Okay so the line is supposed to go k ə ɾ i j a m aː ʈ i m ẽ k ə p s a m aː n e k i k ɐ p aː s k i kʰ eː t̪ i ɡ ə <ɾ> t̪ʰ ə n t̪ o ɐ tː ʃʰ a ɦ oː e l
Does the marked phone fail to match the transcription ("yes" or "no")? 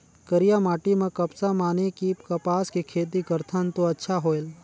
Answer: no